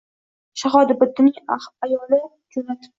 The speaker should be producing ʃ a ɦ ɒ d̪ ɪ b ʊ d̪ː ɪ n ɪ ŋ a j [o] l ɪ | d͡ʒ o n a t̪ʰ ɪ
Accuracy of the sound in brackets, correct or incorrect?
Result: incorrect